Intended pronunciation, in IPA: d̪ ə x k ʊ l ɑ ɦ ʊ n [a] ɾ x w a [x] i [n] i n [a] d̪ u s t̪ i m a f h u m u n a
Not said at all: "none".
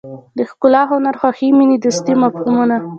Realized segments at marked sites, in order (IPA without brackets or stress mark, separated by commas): a, x, m, i